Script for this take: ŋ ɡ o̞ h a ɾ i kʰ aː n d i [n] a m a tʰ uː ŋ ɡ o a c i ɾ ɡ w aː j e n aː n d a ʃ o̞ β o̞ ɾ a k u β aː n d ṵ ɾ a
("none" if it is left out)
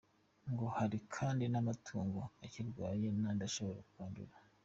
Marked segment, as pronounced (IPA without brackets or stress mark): n